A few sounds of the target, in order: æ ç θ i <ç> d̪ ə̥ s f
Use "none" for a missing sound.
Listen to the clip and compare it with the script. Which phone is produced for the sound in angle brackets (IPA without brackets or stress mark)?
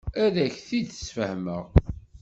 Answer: none